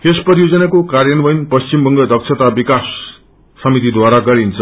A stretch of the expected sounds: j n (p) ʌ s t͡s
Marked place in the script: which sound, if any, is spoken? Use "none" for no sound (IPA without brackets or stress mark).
p